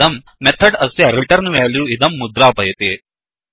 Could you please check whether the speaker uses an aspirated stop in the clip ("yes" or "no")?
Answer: yes